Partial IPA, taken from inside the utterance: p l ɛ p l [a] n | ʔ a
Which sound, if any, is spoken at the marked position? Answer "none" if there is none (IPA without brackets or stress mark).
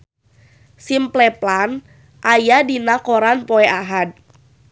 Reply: a